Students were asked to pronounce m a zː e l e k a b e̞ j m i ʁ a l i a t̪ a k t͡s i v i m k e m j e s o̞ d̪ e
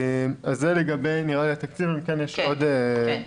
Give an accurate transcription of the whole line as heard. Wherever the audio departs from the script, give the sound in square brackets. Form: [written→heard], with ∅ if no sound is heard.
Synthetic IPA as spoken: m a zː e l e [k→ɡ] a b e̞ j [m→n] i ʁ a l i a t̪ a k t͡s i v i m k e [m→n] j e [s→ʃ] o̞ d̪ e